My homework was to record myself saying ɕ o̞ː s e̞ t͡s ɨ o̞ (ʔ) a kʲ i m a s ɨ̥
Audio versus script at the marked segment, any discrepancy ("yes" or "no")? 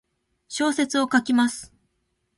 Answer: yes